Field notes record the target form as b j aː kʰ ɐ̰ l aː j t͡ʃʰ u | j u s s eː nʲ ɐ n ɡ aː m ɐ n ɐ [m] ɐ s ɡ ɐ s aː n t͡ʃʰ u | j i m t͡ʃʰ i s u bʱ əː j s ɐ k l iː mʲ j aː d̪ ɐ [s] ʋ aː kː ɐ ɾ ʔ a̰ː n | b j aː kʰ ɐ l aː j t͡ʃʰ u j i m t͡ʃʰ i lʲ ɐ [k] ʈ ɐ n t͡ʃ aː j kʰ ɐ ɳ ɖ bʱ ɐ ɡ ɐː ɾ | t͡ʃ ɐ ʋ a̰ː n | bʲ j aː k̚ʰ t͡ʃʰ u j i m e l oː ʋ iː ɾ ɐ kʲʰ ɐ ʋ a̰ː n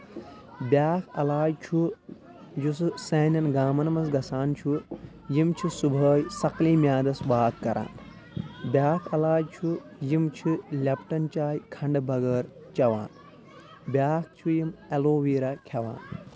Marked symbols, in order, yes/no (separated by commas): yes, yes, no